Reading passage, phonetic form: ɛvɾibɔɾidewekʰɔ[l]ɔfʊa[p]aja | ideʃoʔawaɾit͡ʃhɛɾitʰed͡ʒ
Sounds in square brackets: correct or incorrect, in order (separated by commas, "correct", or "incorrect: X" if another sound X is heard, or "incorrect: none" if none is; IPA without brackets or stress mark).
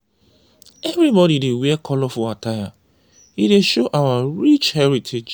correct, incorrect: t